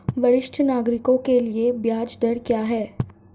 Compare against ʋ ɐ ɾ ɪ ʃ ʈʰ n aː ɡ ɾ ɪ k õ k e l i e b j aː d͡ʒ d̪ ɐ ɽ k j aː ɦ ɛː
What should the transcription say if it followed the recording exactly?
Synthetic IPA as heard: ʋ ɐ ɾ ɪ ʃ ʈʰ n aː ɡ ɾ ɪ k õ k e l i e b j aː d͡ʒ d̪ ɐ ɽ k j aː ɦ ɛː